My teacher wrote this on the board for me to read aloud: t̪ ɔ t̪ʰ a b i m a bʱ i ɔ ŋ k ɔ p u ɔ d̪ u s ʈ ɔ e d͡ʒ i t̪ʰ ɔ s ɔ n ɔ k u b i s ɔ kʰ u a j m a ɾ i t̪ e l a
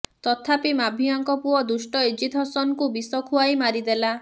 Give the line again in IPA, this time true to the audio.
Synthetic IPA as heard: t̪ ɔ t̪ʰ a p i m a bʱ i ɔ ŋ k ɔ p u ɔ d̪ u s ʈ ɔ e d͡ʒ i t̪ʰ ɔ s ɔ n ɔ k u b i s ɔ kʰ u a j m a ɾ i d̪ e l a

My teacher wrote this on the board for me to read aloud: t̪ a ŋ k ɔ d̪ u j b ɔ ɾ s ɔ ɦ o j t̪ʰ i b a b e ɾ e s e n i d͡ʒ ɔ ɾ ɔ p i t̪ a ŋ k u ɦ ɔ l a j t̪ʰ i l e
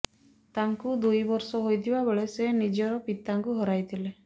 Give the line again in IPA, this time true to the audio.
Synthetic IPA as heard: t̪ a ŋ k u d̪ u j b ɔ ɾ s ɔ ɦ o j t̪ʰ i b a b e ɭ e s e n i d͡ʒ ɔ ɾ ɔ p i t̪ a ŋ k u ɦ ɔ ɾ a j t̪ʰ i l e

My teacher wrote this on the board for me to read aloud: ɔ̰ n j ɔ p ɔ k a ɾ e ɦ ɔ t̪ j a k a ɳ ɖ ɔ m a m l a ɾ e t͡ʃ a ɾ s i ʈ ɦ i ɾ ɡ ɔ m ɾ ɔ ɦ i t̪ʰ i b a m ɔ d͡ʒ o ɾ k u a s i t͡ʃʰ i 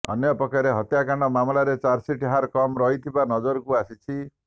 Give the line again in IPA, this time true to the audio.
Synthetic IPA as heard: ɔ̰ n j ɔ p ɔ k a ɾ e ɦ ɔ t̪ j a k a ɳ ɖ ɔ m a m l a ɾ e t͡ʃ a ɾ s i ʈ ɦ a ɾ k ɔ m ɾ ɔ ɦ i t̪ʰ i b a n ɔ d͡ʒ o ɾ k u a s i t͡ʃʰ i

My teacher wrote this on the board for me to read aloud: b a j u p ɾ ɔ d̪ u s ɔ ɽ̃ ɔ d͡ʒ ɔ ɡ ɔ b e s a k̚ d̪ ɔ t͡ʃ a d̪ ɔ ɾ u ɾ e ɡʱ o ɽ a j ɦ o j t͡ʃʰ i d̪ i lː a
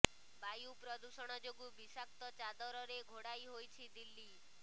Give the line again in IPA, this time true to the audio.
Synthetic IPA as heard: b a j u p ɾ ɔ d̪ u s ɔ ɽ̃ ɔ d͡ʒ o ɡ u b i s a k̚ t̪ ɔ t͡ʃ a d̪ ɔ ɾ ɔ ɾ e ɡʱ o ɽ a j ɦ o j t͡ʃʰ i d̪ i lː i

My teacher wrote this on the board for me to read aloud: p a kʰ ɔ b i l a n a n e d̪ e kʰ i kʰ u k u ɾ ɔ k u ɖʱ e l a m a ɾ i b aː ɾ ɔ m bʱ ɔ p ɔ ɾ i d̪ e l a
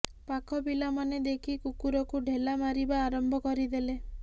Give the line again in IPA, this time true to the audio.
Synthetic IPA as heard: p a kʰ ɔ b i l a m a n e d̪ e kʰ i k u k u ɾ ɔ k u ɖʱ e l a m a ɾ i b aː ɾ ɔ m bʱ ɔ k ɔ ɾ i d̪ e l e

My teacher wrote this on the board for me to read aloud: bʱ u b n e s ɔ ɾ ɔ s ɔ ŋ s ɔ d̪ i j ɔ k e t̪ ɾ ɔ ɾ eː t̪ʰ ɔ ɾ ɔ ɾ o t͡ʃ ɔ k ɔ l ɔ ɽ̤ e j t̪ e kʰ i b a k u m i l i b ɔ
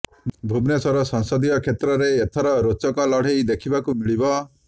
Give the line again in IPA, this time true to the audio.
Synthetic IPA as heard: bʱ u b n e s ɔ ɾ ɔ s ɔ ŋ s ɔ d̪ i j ɔ kʰ e t̪ ɾ ɔ ɾ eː t̪ʰ ɔ ɾ ɔ ɾ o t͡ʃ ɔ k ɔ l ɔ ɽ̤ e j d̪ e kʰ i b a k u m i ɭ i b ɔ

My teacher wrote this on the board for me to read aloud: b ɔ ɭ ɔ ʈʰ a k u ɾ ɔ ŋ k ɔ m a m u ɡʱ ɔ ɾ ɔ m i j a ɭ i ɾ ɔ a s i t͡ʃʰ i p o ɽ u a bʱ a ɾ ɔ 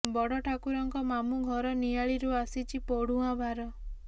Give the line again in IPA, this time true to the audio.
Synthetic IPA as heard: b ɔ ɽ ɔ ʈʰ a k u ɾ ɔ ŋ k ɔ m a m u ɡʱ ɔ ɾ ɔ n i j a ɭ i ɾ u a s i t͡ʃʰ i p o ɽ u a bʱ a ɾ ɔ

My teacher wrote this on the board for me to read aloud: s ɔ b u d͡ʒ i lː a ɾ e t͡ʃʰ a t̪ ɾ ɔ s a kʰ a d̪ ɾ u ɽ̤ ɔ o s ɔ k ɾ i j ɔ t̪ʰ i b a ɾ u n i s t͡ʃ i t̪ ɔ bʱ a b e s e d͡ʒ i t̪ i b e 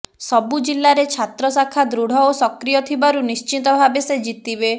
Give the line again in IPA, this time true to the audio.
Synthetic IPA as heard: s ɔ b u d͡ʒ i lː a ɾ e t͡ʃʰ a t̪ ɾ ɔ s a kʰ a d̪ ɾ u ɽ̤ ɔ o s ɔ k ɾ i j ɔ t̪ʰ i b a ɾ u n i s t͡ʃ i t̪ ɔ bʱ a b e s e d͡ʒ i t̪ i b e

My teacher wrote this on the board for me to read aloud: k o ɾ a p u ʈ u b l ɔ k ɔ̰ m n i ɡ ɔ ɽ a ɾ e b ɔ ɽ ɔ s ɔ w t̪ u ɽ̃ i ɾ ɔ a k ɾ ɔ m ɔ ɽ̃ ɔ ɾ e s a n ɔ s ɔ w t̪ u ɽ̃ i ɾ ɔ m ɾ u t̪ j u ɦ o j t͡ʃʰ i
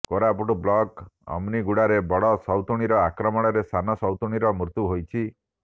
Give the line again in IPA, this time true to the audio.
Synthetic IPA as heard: k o ɾ a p u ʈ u b l ɔ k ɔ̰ m n i ɡ u ɽ a ɾ e b ɔ ɽ ɔ s ɔ w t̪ u ɽ̃ i ɾ ɔ a k ɾ ɔ m ɔ ɽ̃ ɔ ɾ e s a n ɔ s ɔ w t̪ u ɽ̃ i ɾ ɔ m ɾ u t̪ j u ɦ o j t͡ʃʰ i

